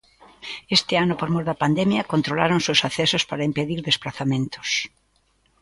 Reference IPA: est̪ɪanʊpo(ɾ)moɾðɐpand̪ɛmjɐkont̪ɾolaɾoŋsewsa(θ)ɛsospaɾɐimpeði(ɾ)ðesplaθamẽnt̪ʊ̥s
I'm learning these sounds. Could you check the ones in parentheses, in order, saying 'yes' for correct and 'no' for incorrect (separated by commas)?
yes, yes, yes